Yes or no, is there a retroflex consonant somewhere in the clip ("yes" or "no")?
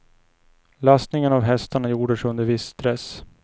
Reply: yes